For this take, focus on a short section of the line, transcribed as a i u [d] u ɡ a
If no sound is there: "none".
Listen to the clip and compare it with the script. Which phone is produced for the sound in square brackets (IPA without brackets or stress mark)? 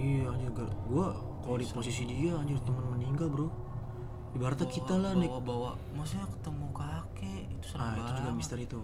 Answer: d͡ʒ